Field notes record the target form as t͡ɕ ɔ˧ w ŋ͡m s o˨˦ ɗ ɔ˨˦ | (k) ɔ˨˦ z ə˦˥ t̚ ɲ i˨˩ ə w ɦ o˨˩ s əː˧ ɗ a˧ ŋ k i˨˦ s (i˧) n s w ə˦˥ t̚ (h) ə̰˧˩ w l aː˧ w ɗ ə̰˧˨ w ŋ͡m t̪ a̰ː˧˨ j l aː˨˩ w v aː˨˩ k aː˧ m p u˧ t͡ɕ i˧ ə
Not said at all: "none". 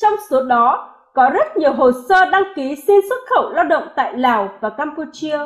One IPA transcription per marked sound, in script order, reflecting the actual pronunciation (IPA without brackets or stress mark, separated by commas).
k, i˧, x